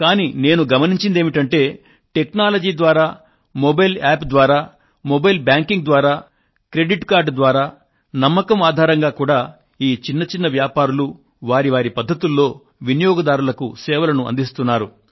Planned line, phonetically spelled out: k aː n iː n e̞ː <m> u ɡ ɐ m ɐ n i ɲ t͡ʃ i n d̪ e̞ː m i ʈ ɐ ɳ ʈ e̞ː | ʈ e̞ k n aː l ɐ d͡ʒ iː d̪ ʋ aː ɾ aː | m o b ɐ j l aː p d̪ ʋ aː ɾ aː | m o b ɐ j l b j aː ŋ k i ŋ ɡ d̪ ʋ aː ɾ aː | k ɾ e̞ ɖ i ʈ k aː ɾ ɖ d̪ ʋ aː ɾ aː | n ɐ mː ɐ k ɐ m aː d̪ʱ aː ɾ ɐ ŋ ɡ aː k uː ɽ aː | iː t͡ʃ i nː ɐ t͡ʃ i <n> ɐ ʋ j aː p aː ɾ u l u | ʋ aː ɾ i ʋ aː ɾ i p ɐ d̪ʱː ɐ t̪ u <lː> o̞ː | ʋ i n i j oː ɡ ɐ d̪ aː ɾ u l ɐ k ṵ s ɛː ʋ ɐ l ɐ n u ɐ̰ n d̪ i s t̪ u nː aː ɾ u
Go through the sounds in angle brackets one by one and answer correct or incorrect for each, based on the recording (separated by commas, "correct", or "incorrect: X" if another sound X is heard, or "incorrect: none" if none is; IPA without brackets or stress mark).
incorrect: n, incorrect: nː, correct